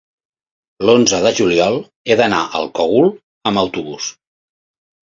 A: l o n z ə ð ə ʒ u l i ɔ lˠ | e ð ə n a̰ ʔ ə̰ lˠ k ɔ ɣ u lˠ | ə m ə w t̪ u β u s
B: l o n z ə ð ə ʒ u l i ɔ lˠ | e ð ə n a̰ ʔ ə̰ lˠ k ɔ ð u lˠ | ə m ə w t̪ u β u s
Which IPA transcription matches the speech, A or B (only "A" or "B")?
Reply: A